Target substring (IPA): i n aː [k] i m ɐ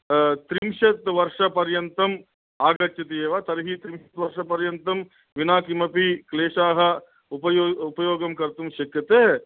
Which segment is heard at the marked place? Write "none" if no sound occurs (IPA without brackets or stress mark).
k